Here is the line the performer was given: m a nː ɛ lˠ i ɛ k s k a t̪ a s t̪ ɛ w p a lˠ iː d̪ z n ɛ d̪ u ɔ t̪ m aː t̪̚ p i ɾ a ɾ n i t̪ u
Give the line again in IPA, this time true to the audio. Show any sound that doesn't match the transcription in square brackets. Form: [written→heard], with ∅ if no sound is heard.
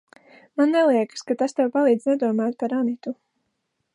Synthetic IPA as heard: m a nː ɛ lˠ i ɛ k s k a t̪ a s t̪ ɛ w p a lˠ iː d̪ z n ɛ d̪ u ɔ [t̪→∅] m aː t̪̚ p [i→a] ɾ a [ɾ→∅] n i t̪ u